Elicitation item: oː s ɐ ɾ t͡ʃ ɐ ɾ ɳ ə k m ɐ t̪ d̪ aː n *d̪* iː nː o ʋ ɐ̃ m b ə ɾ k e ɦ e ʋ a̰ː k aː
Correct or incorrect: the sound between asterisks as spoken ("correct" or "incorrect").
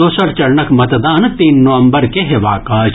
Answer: incorrect